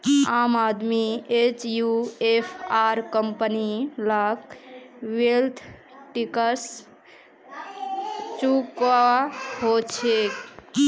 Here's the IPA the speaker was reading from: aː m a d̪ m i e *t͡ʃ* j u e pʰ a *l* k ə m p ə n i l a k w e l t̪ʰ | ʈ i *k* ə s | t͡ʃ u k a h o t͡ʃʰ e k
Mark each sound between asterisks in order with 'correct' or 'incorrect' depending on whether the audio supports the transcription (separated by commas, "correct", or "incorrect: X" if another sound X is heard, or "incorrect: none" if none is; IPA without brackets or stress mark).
correct, incorrect: ɾ, correct